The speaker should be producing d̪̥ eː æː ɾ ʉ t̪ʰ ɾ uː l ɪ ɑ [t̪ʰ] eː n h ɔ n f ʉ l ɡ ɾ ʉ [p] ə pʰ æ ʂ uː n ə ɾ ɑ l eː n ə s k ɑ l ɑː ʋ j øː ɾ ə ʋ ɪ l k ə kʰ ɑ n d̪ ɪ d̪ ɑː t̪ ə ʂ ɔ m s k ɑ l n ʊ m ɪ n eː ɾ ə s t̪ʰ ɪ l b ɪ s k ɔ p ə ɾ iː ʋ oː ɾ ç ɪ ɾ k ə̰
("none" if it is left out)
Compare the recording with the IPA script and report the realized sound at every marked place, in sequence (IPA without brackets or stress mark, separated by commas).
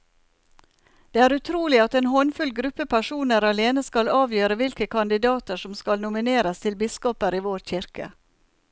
t̪, p